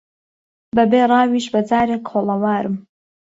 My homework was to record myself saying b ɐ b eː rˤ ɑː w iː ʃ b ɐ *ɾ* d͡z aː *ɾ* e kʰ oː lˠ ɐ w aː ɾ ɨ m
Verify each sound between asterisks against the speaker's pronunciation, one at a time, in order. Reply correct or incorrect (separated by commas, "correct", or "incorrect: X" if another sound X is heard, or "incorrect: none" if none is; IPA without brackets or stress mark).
incorrect: none, correct